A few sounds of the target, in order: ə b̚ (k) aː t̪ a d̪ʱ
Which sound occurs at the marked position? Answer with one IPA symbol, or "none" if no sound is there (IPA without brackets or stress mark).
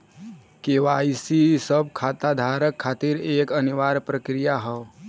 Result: kʰ